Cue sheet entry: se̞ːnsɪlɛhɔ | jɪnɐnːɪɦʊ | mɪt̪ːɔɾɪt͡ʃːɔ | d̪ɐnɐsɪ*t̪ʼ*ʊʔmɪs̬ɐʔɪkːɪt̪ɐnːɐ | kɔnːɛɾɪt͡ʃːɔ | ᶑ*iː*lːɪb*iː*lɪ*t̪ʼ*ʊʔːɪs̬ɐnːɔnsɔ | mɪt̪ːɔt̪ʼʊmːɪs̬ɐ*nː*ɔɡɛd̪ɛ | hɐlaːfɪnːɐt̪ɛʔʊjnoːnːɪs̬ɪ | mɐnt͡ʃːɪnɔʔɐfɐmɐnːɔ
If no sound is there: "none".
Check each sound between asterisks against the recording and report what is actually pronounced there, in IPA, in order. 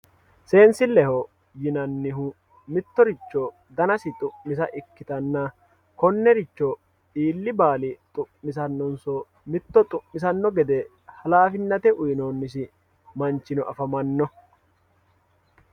t̪ʼ, iː, aː, t̪ʼ, nː

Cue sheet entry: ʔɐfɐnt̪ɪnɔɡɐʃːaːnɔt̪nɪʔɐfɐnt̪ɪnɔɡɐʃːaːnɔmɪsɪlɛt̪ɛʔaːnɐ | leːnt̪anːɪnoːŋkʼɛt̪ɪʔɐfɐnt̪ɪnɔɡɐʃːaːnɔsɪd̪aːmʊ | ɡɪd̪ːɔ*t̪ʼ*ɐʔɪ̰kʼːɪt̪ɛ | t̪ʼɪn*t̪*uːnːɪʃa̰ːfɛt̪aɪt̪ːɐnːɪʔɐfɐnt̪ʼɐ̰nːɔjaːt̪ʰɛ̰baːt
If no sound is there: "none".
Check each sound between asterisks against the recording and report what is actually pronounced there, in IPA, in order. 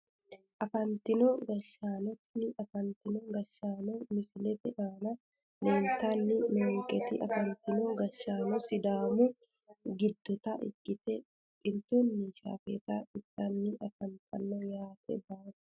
t̪, t̪

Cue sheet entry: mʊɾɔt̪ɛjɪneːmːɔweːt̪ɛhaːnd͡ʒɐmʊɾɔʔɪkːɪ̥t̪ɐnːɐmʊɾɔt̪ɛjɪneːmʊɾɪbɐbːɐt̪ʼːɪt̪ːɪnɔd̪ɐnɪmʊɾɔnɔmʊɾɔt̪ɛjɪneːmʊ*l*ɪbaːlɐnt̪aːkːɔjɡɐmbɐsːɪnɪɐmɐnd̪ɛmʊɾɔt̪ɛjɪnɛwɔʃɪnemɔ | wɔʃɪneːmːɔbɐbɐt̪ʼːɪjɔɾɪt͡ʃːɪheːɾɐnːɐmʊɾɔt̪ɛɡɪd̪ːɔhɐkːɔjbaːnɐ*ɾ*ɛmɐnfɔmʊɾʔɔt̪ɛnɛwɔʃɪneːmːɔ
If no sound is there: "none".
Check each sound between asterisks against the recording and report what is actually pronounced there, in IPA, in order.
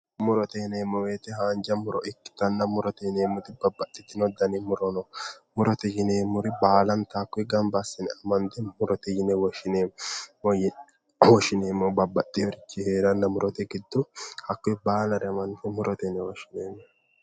ɾ, ɾ

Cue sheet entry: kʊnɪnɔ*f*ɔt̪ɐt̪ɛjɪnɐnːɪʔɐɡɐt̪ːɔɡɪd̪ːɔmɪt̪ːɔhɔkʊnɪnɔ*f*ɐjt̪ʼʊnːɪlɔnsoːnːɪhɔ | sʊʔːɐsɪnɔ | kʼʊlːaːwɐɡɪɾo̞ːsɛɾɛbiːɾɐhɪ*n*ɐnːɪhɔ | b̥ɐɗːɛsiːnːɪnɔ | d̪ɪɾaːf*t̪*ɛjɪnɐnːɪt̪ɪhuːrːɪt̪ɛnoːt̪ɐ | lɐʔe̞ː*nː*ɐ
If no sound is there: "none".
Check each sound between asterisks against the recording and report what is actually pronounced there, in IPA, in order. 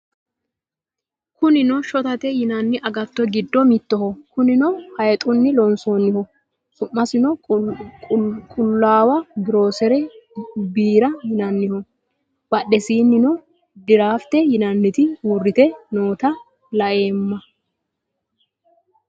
ʃ, h, n, t̪, mː

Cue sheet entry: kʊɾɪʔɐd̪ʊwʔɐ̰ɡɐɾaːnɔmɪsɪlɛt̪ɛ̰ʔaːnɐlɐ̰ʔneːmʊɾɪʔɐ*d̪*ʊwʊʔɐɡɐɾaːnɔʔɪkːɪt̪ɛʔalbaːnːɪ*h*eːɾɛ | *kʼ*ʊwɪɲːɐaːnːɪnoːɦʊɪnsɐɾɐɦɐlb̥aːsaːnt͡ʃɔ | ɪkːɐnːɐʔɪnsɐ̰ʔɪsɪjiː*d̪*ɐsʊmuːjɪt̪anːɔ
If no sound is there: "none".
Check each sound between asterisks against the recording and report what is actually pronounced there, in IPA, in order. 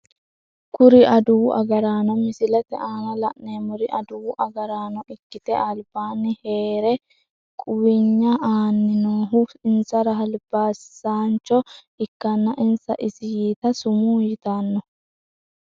d̪, h, kʼ, t̪

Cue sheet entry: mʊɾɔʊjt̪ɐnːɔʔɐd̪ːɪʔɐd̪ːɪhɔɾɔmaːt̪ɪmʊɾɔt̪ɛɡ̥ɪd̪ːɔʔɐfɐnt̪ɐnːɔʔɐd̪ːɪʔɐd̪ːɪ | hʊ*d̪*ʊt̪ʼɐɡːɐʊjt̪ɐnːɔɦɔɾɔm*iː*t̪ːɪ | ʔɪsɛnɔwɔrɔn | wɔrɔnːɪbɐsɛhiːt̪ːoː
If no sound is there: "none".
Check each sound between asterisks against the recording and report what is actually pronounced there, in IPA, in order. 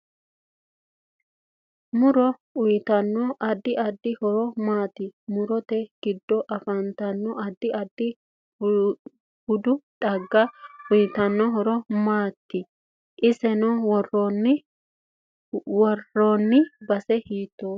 d̪, aː

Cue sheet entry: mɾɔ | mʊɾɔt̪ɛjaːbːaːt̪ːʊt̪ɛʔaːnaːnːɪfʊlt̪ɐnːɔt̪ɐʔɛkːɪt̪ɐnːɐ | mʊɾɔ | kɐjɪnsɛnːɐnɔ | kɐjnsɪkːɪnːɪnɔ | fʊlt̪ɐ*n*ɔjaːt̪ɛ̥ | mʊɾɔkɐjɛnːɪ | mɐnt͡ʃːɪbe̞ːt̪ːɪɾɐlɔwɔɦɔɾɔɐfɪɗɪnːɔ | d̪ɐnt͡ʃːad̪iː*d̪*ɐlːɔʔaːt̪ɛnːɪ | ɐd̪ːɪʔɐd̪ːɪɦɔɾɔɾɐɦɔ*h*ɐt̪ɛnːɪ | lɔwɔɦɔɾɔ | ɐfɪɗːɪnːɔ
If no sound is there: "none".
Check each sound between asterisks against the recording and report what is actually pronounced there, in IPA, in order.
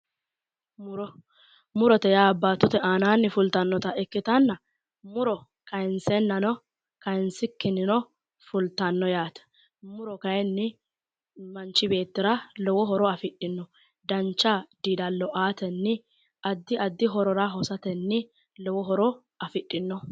nː, d̪, s

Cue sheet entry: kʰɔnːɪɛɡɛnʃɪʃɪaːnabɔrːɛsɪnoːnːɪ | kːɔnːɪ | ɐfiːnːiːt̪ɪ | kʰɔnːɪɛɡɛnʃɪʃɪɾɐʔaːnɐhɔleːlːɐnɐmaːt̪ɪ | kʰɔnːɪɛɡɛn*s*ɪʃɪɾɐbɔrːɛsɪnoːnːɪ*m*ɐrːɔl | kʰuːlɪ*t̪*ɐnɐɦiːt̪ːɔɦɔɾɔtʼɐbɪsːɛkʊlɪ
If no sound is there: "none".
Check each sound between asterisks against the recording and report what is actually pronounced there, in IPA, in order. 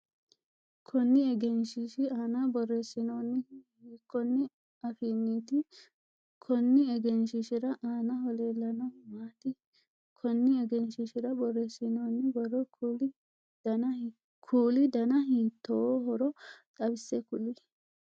ʃ, b, d̪

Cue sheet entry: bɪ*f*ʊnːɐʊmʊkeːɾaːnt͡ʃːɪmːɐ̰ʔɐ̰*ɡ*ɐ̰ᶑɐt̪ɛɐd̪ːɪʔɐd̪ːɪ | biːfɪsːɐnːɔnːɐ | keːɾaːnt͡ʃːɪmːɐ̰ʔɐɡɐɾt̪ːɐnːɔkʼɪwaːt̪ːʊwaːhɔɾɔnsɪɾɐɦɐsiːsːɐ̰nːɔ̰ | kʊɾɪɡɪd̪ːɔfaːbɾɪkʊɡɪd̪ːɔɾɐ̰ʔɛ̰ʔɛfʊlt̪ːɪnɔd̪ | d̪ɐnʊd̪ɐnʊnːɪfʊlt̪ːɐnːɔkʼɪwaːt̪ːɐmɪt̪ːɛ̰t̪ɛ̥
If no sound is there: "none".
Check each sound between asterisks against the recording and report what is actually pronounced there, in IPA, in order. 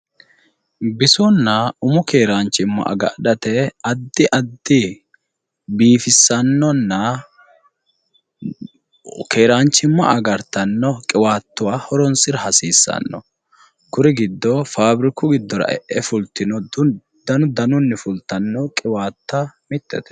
s, ɡ

